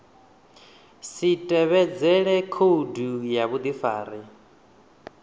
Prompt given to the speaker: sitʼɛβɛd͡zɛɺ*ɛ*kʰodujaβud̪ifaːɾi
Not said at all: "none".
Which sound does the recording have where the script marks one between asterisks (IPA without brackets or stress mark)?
ɛ